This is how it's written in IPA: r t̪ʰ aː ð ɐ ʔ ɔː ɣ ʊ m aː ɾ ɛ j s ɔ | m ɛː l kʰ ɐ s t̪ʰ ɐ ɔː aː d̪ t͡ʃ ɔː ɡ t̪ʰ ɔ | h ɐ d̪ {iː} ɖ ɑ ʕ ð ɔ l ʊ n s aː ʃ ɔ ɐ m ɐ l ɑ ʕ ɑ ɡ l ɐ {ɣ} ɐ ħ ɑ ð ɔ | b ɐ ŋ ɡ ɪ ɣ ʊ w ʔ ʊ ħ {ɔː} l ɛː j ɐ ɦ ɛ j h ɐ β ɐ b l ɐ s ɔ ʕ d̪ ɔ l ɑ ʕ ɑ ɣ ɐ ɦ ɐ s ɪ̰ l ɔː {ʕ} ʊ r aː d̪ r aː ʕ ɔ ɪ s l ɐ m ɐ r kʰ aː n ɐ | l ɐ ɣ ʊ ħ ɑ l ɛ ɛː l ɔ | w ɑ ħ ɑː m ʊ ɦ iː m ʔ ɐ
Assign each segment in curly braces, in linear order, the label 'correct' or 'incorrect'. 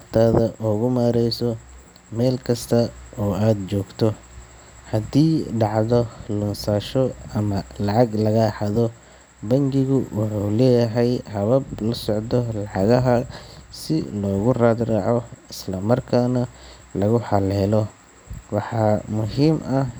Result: correct, correct, incorrect: uː, incorrect: ɣ

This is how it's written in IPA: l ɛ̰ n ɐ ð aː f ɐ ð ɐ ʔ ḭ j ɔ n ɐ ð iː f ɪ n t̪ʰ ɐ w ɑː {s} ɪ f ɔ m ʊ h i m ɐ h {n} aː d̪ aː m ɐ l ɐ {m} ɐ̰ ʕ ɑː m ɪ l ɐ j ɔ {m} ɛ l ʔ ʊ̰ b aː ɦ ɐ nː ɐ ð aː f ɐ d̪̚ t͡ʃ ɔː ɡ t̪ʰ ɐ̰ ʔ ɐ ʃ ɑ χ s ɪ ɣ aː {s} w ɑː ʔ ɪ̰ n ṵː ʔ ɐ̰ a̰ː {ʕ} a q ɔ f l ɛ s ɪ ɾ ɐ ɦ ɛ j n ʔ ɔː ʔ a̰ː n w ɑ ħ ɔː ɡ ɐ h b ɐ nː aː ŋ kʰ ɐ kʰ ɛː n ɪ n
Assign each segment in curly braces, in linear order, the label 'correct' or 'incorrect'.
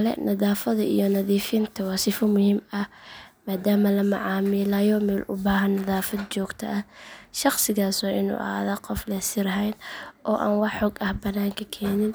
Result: correct, incorrect: m, correct, correct, correct, incorrect: ð

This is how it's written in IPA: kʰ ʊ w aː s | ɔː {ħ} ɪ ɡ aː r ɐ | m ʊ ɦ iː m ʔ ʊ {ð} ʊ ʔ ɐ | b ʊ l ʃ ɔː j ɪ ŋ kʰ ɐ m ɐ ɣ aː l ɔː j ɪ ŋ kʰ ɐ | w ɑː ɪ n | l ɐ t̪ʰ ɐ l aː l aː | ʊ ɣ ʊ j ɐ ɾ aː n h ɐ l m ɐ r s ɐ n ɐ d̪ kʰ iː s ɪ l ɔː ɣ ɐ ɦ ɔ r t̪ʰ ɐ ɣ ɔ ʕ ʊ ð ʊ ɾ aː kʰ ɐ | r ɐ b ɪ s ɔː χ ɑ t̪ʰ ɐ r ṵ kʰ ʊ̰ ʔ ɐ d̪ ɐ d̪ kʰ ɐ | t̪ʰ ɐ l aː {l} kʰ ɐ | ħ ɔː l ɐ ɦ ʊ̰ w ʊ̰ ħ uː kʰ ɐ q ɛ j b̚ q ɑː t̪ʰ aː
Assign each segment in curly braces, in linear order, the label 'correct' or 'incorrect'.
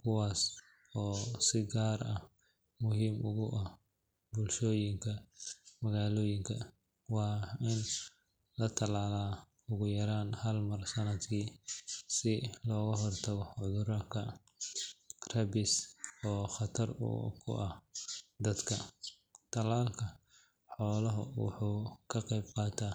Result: incorrect: s, incorrect: ɣ, correct

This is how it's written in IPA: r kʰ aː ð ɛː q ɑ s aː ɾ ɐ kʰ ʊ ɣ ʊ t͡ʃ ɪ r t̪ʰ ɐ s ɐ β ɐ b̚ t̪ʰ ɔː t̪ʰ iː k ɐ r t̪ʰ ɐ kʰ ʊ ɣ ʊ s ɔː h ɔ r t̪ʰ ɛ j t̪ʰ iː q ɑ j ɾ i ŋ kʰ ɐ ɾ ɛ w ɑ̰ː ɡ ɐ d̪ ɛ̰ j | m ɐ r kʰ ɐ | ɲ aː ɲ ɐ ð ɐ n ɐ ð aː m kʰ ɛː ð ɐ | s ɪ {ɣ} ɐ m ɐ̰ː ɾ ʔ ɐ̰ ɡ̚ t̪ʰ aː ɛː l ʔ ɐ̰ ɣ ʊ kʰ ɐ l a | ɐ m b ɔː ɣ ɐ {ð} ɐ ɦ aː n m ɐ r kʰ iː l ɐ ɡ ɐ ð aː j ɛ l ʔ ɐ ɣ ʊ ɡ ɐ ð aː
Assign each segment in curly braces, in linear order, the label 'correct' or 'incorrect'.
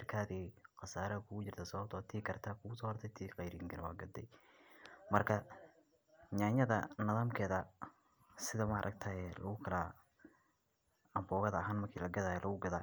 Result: incorrect: ð, correct

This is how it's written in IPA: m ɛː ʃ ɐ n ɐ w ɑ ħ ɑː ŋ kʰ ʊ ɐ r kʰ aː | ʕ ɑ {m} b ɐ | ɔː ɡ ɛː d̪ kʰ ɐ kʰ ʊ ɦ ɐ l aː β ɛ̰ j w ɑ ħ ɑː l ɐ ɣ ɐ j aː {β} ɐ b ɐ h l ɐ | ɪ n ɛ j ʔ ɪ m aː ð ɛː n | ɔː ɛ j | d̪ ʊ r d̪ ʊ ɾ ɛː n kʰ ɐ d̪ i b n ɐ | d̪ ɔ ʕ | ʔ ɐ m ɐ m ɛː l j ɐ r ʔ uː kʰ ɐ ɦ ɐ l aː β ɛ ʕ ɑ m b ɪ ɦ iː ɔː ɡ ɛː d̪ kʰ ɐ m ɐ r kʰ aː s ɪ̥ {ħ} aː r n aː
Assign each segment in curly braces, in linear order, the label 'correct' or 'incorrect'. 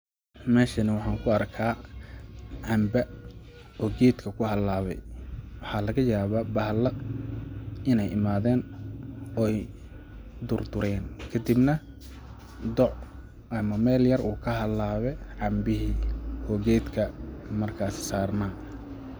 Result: correct, correct, incorrect: s

